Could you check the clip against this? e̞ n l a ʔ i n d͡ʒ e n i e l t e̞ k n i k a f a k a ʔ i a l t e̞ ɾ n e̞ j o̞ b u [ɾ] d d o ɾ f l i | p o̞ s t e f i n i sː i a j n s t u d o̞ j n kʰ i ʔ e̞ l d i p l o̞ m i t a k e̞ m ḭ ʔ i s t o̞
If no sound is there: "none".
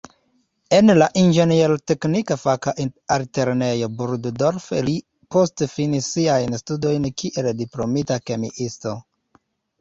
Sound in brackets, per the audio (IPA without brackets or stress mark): ɾ